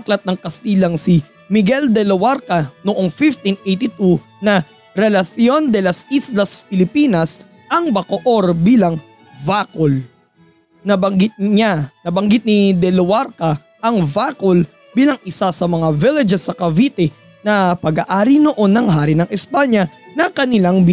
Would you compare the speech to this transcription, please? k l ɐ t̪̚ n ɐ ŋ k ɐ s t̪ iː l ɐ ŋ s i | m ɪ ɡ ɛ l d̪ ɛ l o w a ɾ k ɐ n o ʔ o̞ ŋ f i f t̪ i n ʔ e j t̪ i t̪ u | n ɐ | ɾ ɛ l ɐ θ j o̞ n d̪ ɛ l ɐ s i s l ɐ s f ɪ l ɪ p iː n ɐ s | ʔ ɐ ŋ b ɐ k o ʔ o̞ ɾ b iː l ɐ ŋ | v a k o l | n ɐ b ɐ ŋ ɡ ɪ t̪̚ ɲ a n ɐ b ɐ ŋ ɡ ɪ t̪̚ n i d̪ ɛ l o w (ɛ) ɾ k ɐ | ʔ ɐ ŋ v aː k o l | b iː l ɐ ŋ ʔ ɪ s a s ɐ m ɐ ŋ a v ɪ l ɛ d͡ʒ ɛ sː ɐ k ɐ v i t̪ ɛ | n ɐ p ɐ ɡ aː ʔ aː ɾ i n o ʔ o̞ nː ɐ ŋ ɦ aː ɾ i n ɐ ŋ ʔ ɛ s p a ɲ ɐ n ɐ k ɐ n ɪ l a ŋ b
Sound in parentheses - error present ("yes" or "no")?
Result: yes